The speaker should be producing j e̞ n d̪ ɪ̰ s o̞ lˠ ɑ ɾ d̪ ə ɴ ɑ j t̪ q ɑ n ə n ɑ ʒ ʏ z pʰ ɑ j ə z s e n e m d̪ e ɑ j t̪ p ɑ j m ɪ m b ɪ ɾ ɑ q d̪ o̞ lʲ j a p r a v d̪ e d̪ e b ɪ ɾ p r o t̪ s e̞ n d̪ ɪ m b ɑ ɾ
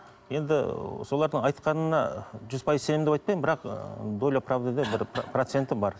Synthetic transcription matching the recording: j e̞ n d̪ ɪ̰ s o̞ lˠ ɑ ɾ d̪ ə ɴ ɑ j t̪ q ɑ n ə n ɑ ʒ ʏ z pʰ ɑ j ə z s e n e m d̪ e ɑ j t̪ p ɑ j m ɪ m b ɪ ɾ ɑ q d̪ o̞ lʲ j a p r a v d̪ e d̪ e b ɪ ɾ p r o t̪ s e̞ n t̪ ɪ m b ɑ ɾ